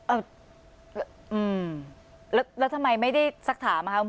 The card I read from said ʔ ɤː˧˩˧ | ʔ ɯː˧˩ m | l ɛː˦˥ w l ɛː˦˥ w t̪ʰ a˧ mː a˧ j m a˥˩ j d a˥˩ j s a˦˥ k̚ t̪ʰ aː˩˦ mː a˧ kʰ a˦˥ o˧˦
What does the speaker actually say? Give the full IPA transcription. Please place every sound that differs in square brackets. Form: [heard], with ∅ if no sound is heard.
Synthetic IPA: ʔ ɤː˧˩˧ | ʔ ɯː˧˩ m | l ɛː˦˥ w l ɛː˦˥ w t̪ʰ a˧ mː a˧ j m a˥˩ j d a˥˩ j s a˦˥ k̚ t̪ʰ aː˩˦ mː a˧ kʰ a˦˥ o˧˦